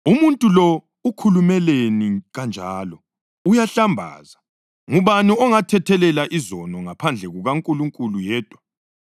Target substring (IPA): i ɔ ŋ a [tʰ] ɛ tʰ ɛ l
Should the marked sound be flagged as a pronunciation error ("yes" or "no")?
no